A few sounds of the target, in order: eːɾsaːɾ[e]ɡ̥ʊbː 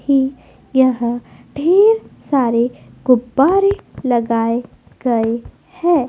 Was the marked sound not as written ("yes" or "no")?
no